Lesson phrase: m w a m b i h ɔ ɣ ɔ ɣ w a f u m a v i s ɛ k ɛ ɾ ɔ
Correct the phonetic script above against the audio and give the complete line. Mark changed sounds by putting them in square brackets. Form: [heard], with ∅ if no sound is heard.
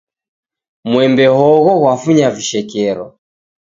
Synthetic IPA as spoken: m w [ɛ] m b [ɛ] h ɔ ɣ ɔ ɣ w a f u [ɲ] a v i [ʃ] ɛ k ɛ ɾ ɔ